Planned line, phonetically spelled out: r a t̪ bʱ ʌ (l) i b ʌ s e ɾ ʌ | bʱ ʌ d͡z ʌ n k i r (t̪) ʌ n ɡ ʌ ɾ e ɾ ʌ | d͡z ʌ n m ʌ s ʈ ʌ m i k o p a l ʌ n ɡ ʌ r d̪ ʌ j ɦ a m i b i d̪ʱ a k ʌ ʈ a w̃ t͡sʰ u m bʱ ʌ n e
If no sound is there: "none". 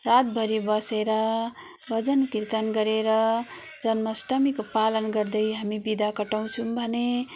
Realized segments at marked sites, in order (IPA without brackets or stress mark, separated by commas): ɾ, t̪